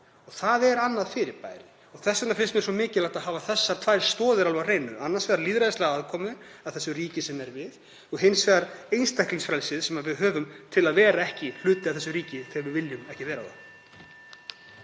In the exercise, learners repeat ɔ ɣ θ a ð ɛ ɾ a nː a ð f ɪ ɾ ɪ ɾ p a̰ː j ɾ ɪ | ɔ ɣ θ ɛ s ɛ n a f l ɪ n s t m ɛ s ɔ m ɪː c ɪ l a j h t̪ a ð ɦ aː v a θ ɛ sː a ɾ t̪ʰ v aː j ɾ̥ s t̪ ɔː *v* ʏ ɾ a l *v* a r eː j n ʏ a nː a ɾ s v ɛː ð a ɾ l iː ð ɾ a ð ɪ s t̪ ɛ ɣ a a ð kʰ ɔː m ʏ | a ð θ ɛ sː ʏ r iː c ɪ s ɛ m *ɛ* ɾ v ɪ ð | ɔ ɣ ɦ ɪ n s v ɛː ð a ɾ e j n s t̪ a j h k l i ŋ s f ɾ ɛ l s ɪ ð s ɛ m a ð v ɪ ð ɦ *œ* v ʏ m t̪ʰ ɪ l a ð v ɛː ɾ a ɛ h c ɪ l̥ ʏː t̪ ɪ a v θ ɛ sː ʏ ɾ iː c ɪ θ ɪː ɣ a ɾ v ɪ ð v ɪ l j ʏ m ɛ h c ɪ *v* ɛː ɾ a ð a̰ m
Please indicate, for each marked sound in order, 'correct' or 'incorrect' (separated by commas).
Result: incorrect, correct, correct, incorrect, correct